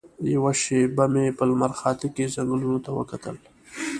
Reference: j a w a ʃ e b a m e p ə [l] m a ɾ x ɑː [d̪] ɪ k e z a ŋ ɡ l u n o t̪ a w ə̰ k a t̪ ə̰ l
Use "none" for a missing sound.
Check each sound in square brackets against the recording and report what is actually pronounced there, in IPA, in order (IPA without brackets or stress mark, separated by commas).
l, t̪